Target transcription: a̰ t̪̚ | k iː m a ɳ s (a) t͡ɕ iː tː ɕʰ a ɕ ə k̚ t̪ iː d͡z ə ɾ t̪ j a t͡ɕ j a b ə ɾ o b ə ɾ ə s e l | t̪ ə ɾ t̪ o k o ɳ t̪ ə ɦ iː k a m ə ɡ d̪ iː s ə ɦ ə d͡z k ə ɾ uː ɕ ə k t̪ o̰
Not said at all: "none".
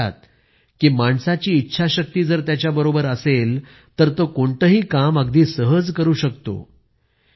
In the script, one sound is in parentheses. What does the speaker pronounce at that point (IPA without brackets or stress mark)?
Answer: a